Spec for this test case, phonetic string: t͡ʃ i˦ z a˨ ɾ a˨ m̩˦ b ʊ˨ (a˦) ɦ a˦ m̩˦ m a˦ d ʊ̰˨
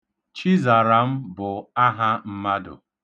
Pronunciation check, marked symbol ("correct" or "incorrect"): correct